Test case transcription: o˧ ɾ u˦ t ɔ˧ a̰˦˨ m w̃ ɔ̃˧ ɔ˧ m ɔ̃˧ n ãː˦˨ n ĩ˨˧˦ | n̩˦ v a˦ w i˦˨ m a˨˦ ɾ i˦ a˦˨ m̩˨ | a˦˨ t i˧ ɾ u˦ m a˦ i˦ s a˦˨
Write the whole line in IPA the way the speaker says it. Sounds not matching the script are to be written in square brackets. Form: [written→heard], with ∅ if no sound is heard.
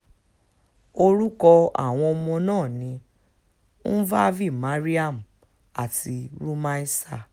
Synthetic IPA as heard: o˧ ɾ u˦ [t→k] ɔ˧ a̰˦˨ [m→∅] w̃ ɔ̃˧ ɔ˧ m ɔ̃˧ n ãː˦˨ n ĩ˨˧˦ | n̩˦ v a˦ [w→v] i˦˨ m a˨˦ ɾ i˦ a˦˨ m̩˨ | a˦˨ t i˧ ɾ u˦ m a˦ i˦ s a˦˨

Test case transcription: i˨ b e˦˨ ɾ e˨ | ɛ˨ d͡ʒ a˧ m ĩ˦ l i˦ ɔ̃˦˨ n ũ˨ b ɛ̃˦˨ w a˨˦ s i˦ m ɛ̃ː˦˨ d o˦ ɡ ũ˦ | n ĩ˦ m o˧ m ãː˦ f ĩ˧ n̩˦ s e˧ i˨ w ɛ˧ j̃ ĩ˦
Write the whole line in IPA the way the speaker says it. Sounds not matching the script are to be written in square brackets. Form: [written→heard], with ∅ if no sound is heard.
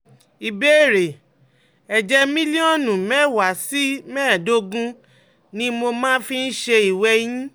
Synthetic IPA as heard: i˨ b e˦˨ ɾ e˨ | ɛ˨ d͡ʒ [a˧→ɛ˧] m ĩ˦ l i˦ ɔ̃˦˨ n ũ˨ [b→m] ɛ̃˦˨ w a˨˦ s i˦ m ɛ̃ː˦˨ d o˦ ɡ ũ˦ | n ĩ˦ m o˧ m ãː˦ f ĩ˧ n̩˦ [s→ʃ] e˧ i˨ w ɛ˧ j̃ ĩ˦

